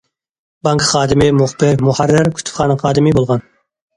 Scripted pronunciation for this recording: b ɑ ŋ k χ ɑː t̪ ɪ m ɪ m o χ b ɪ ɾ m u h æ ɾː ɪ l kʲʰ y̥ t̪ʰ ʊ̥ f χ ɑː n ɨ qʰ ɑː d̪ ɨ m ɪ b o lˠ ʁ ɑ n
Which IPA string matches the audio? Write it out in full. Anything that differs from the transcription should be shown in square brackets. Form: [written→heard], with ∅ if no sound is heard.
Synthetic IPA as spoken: b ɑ ŋ k χ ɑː [t̪→d̪] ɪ m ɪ m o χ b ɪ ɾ m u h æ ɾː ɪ [l→ɾ] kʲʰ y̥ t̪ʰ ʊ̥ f χ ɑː n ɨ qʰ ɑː d̪ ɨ m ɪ b o lˠ ʁ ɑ n